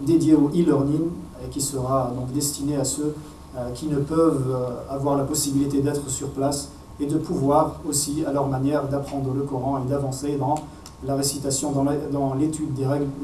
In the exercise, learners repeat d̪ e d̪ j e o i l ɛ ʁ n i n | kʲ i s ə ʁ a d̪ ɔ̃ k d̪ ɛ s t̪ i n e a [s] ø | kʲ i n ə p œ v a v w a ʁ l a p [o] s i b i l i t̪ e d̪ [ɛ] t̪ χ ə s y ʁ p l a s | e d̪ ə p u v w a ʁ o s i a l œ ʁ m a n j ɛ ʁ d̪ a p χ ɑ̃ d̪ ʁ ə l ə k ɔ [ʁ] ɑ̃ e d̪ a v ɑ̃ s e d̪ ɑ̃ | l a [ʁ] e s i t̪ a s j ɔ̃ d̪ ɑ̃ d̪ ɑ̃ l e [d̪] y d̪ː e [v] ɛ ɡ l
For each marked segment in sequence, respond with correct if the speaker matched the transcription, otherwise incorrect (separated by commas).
correct, incorrect, correct, correct, correct, incorrect, incorrect